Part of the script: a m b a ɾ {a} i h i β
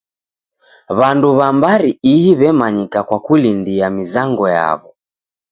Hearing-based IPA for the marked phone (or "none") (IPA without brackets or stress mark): i